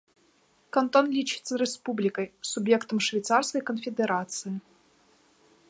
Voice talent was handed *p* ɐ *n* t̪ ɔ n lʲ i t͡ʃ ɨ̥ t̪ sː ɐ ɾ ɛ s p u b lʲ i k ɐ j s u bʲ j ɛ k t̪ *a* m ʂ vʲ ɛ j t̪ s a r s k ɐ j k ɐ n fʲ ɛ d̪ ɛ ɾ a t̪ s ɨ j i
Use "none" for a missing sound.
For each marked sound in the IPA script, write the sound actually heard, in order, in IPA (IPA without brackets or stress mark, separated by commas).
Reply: k, n, ɐ